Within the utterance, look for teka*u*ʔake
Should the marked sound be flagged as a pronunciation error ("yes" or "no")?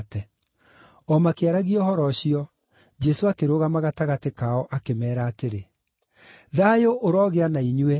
yes